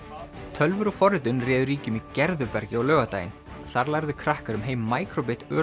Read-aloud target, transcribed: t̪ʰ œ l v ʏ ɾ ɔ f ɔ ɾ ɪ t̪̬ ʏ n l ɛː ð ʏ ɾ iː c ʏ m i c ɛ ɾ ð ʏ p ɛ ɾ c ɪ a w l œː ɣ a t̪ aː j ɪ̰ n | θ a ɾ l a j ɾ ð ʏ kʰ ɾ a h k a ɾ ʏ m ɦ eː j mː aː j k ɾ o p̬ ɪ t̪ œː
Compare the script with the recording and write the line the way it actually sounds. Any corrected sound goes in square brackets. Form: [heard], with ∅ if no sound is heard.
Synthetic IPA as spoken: t̪ʰ œ l v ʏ ɾ ɔ f ɔ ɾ ɪ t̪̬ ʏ n [r] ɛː ð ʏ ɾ iː c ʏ m i c ɛ ɾ ð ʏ p ɛ ɾ c ɪ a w l œː ɣ a t̪ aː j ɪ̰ n | θ a ɾ l a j ɾ ð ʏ kʰ ɾ a h k a ɾ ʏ m ɦ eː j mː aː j k ɾ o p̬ ɪ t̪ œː